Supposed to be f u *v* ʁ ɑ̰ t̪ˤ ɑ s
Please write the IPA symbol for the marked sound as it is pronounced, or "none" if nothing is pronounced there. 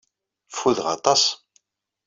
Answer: ð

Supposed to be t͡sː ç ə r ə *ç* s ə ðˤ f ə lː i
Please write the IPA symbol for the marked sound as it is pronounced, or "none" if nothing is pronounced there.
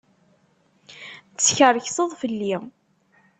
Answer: ç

